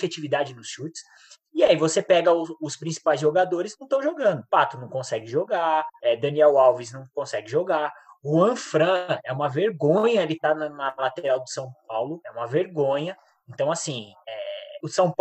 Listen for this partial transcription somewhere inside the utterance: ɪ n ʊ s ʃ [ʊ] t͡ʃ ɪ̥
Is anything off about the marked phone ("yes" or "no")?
yes